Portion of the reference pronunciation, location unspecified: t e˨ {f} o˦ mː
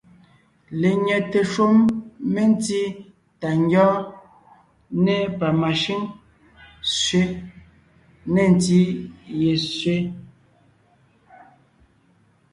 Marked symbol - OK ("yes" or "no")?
no